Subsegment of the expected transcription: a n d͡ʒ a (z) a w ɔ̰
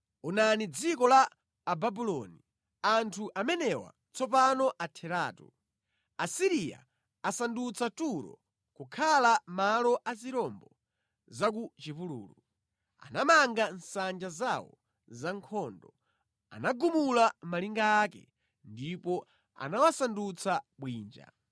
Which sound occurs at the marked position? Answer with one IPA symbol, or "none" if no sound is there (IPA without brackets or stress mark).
z